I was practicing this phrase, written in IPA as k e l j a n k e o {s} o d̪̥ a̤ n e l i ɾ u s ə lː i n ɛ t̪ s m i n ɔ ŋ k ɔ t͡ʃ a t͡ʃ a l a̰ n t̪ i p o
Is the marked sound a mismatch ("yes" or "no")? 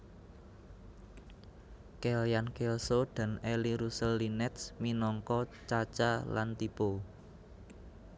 no